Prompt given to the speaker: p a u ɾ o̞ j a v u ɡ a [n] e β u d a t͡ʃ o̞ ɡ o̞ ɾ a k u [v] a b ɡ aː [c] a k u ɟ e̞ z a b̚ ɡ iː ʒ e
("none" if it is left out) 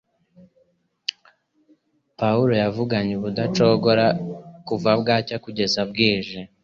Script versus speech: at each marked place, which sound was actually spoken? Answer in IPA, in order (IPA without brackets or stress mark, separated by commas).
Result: ɲ, v, c